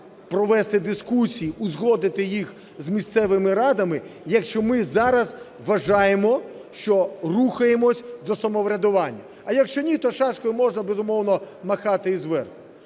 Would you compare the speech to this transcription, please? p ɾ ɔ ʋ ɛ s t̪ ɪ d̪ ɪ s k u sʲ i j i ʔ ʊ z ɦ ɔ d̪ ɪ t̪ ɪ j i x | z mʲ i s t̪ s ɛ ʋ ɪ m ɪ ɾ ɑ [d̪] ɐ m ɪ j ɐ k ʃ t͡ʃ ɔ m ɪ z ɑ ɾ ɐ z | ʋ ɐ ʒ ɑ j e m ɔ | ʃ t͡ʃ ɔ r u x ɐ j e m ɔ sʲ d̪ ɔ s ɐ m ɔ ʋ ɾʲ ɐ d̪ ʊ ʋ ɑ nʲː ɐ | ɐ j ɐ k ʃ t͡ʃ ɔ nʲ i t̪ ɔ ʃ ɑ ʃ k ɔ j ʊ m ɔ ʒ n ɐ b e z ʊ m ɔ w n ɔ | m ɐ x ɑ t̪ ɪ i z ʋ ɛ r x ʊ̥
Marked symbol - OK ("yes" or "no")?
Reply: yes